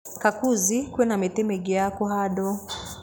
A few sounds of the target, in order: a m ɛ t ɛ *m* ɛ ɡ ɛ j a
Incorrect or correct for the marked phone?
correct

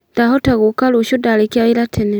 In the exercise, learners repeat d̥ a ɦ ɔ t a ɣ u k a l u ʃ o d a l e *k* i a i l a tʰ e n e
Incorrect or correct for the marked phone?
correct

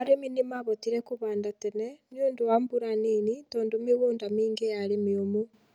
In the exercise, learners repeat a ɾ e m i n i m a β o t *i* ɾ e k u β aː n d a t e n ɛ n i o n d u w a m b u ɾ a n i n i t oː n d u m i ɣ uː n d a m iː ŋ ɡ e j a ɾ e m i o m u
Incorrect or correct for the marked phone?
correct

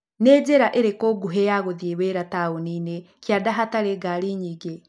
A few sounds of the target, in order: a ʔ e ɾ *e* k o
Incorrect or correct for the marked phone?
correct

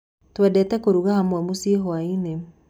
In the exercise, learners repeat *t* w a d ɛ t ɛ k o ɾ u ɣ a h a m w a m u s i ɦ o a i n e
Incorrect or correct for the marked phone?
correct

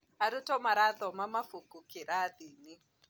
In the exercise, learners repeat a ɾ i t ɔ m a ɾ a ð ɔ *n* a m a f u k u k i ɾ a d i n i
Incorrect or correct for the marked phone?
incorrect: m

